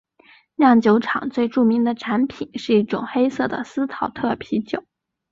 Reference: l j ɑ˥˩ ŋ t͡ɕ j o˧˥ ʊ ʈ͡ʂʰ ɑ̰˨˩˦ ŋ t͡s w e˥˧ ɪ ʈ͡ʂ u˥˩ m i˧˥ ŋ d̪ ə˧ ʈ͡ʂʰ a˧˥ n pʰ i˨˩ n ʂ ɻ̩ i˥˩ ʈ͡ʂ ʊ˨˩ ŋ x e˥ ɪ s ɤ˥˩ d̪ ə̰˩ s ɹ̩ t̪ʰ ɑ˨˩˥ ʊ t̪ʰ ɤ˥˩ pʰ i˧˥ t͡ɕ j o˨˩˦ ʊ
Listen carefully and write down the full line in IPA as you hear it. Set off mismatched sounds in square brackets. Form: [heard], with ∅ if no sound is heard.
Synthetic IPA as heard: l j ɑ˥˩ ŋ t͡ɕ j o˧˥ ʊ ʈ͡ʂʰ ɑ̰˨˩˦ ŋ t͡s w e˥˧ ɪ ʈ͡ʂ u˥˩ m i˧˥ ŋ d̪ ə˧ ʈ͡ʂʰ a˧˥ n pʰ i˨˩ n ʂ ɻ̩ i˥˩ ʈ͡ʂ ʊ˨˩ ŋ x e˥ ɪ s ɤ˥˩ d̪ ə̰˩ s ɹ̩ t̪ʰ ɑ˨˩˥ ʊ t̪ʰ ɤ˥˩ pʰ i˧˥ t͡ɕ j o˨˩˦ ʊ